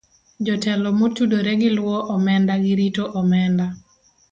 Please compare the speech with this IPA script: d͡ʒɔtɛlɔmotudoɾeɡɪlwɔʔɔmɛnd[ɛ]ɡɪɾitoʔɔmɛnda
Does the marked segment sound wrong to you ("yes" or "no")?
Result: yes